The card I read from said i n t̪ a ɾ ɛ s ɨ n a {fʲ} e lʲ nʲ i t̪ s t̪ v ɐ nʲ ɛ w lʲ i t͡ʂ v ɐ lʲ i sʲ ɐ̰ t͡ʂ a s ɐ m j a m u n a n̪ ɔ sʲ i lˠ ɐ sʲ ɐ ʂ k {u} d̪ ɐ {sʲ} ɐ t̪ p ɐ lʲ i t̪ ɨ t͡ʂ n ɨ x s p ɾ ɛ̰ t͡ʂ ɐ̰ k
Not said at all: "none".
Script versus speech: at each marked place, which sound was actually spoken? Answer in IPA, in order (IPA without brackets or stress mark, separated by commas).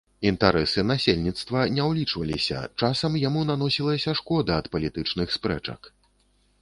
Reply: sʲ, ɔ, none